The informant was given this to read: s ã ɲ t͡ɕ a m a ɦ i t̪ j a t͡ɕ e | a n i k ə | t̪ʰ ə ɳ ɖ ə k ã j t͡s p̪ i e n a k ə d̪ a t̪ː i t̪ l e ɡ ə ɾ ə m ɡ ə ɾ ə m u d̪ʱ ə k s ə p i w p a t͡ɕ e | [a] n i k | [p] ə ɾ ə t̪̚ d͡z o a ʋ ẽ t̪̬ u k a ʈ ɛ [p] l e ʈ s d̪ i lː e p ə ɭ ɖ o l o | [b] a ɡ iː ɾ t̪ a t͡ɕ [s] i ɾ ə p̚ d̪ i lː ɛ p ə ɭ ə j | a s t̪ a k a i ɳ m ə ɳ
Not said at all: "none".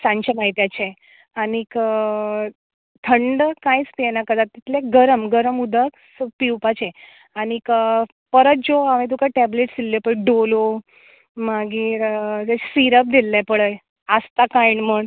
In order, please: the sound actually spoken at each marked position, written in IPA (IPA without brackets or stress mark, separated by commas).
a, p, b, m, s